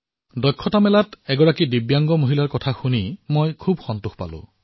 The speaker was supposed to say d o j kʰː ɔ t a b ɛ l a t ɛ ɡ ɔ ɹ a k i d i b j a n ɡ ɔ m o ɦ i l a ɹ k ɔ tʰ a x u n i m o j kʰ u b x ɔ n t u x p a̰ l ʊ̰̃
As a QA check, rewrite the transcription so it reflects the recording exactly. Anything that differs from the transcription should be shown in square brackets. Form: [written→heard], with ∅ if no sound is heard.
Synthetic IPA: d [o→ɔ] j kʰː ɔ t a [b→m] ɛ l a t ɛ ɡ ɔ ɹ a k i d i b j a [n→ŋ] ɡ ɔ m o ɦ i l a ɹ k ɔ tʰ a x u n i m o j kʰ u b x ɔ n t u x p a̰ l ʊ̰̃

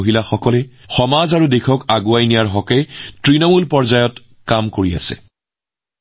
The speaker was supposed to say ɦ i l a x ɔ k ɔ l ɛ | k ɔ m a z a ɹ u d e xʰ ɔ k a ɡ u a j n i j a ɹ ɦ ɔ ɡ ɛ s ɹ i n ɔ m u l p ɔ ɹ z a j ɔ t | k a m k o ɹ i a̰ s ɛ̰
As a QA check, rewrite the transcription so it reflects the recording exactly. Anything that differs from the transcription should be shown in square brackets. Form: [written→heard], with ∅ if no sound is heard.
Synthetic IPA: ɦ i l a x ɔ k ɔ l ɛ | [k→x] ɔ m a z a ɹ u d e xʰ ɔ k a ɡ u a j n i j a ɹ ɦ ɔ [ɡ→k] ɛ [s→t] ɹ i n ɔ m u l p ɔ ɹ z a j ɔ t | k a m k o ɹ i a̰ s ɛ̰

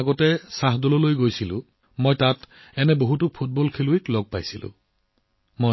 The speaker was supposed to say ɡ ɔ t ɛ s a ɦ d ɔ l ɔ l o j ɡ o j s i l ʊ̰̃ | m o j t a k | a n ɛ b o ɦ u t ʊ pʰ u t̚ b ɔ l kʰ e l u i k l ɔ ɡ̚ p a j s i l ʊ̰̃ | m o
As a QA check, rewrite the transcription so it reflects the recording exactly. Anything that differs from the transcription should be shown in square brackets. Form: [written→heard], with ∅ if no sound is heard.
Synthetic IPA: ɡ ɔ t ɛ s a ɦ d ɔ l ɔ l o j ɡ o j s i l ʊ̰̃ | m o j t a [k→t] | [a→ɛ] n ɛ b o ɦ u t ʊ pʰ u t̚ b ɔ l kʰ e l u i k l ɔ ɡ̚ p a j s i l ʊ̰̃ | m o

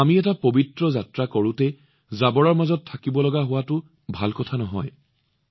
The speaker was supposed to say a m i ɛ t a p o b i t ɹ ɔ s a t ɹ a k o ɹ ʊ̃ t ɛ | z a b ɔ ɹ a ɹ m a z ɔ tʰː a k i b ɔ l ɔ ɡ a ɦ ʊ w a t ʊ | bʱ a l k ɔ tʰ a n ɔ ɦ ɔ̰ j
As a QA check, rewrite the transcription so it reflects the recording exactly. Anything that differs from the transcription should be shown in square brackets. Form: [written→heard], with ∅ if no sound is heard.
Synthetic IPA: a m i ɛ t a p o b i t ɹ ɔ [s→z] a t ɹ a k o ɹ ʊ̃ t ɛ | z a b ɔ ɹ a ɹ m a z ɔ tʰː a k i b ɔ l ɔ ɡ a ɦ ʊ w a t ʊ | bʱ a l k ɔ tʰ a n ɔ ɦ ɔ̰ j

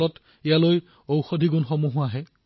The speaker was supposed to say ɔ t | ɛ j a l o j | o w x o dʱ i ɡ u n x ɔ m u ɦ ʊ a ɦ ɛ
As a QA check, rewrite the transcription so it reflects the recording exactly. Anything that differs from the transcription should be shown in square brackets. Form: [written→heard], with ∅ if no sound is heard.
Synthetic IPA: ɔ t | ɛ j a l o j | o w x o dʱ i ɡ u n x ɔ m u ɦ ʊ a ɦ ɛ

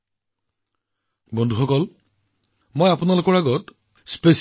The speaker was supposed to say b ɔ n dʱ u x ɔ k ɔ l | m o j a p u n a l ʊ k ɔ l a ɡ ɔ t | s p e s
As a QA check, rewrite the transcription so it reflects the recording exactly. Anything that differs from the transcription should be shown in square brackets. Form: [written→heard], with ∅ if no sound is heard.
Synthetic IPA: b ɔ n dʱ u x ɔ k ɔ l | m o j a p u n a l ʊ k ɔ [l→ɹ] a ɡ ɔ t | s p e s

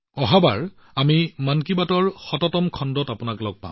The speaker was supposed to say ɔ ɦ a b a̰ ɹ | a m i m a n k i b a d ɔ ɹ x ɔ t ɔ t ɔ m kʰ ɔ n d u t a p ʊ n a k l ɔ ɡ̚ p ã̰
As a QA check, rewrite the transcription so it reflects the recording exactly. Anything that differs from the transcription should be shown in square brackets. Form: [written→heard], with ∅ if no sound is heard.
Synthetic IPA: ɔ ɦ a b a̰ ɹ | a m i m a n k i b a [d→t] ɔ ɹ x ɔ t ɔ t ɔ m kʰ ɔ n d [u→ɔ] t a p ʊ n a k l ɔ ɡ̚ p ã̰

